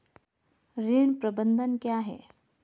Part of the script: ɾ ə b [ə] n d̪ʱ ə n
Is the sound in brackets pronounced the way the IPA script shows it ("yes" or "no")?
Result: yes